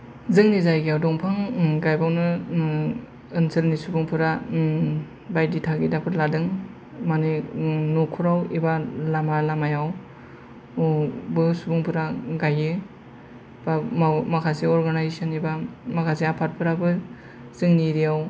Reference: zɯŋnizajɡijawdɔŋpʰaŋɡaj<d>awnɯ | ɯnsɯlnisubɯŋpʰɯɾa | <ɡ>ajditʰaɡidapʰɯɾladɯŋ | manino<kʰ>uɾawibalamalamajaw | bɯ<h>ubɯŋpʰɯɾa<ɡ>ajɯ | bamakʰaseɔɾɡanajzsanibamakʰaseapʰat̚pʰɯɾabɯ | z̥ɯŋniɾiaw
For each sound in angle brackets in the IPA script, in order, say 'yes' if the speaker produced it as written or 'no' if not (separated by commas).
no, no, yes, no, yes